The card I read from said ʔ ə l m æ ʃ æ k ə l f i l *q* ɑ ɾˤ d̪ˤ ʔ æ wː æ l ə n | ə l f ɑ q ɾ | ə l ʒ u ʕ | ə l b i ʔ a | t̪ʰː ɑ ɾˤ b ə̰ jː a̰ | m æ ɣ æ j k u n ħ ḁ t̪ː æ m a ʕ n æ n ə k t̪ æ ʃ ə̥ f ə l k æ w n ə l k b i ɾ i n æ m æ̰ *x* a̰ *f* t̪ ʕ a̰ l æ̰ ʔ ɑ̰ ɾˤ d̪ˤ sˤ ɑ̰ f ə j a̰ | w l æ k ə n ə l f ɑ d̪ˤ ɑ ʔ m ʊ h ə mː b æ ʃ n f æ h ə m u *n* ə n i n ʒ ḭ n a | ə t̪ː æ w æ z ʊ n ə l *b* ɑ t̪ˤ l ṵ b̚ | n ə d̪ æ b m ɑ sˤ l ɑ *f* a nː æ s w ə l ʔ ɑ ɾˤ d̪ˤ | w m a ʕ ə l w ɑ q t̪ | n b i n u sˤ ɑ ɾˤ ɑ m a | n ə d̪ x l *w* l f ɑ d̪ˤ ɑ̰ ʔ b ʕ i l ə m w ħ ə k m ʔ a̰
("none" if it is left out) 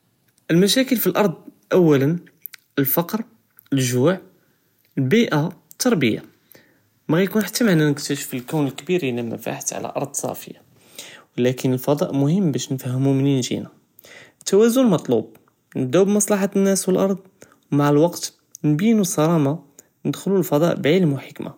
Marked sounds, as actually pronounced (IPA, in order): ʔ, f, ħ, m, m, ħ, u

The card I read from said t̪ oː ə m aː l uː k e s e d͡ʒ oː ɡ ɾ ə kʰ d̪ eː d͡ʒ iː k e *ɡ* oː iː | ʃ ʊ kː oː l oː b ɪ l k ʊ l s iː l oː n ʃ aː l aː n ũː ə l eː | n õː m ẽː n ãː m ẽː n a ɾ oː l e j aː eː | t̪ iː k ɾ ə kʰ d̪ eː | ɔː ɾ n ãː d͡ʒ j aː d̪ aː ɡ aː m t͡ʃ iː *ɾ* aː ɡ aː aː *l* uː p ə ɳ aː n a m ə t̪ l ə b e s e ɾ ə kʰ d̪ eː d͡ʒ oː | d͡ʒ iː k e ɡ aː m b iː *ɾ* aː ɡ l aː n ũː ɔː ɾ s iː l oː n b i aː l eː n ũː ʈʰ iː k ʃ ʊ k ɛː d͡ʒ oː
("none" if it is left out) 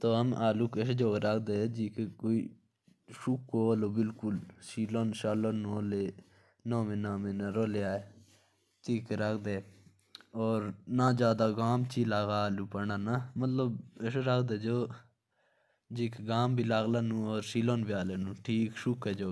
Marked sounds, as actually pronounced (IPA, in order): k, l, l, l

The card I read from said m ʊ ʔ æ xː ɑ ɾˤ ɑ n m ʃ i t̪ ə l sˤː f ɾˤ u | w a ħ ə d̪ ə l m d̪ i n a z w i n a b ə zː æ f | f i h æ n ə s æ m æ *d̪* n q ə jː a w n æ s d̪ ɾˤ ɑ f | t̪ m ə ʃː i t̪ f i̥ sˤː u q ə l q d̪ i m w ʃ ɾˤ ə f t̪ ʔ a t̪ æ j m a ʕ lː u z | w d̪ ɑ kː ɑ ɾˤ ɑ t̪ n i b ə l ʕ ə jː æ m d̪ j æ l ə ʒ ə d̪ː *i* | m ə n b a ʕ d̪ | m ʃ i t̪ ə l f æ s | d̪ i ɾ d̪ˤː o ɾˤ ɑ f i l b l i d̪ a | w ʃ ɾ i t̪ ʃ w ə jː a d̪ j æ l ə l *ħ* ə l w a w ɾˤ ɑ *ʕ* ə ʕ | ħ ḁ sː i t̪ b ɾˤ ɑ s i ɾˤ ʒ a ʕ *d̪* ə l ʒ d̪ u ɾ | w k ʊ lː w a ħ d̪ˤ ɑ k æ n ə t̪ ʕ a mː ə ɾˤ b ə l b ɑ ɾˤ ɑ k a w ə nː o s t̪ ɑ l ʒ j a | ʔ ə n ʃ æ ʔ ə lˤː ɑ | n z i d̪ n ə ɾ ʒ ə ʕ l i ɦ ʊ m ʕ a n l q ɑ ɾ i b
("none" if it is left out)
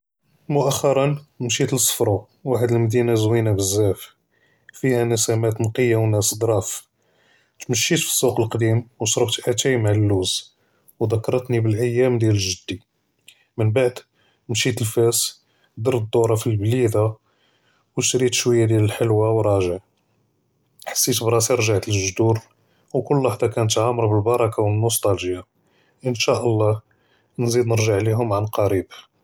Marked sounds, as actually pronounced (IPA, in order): t̪, i, ħ, ʒ, t̪

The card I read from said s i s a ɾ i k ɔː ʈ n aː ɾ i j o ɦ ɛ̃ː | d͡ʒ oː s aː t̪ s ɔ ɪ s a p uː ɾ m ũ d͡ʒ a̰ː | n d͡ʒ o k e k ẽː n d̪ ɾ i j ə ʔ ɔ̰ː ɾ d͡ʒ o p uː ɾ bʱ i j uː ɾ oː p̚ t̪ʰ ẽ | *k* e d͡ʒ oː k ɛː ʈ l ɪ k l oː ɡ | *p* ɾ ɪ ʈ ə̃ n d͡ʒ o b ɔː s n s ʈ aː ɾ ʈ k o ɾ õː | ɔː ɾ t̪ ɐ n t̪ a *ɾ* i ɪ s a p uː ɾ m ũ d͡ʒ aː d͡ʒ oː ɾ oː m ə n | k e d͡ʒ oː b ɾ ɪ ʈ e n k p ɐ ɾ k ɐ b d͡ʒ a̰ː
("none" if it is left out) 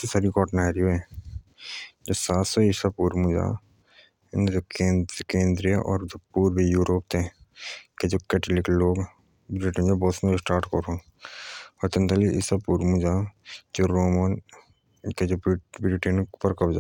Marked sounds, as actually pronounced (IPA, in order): k, b, l

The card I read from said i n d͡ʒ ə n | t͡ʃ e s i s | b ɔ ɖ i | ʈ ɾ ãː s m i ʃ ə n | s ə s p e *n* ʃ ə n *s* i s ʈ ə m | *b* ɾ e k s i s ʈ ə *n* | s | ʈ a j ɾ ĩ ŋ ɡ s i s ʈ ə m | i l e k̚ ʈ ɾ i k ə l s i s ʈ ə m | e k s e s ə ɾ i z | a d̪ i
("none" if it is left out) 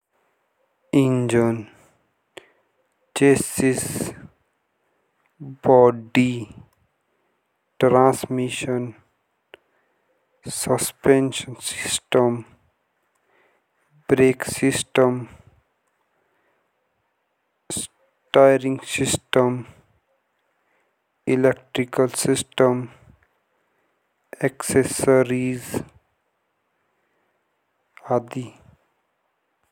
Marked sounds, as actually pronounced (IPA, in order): n, s, b, m

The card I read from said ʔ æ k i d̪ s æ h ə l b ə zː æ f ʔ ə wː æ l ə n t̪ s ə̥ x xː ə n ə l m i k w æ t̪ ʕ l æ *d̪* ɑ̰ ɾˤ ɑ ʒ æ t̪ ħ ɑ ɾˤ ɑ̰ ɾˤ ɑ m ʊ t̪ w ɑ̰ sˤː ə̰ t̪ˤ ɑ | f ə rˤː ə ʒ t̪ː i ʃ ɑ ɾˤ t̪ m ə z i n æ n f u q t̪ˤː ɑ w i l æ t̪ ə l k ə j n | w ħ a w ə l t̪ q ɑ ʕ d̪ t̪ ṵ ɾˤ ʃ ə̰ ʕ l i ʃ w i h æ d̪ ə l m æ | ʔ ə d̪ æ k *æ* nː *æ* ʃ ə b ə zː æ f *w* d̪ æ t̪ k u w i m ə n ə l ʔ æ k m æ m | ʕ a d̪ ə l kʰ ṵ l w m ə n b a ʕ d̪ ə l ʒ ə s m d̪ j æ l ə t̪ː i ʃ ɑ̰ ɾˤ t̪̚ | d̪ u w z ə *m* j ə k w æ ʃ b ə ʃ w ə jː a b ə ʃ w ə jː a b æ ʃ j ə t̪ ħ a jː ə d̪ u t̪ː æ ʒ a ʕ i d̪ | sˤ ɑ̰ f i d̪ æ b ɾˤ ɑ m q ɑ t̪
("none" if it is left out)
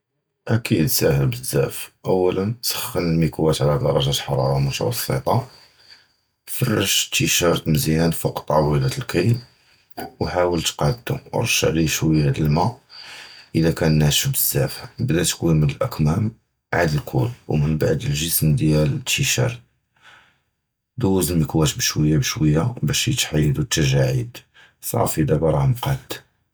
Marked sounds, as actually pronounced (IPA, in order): d̪, æ, æ, b, m

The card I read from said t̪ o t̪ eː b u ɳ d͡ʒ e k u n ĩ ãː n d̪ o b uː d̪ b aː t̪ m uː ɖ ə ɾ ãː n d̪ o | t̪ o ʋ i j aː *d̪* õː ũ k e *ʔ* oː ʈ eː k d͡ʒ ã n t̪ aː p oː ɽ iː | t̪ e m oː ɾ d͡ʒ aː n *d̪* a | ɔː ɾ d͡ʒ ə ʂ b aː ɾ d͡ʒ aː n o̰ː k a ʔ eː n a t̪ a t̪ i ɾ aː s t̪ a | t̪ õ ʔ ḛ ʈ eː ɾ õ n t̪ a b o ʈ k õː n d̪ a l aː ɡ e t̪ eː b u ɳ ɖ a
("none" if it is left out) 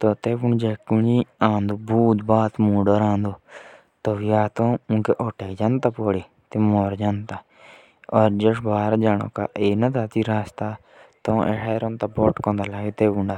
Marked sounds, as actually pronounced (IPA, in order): t̪, ʔ, t̪

